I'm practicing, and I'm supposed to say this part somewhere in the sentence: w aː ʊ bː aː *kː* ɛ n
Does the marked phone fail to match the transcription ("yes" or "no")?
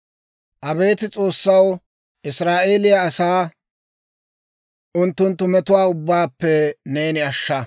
yes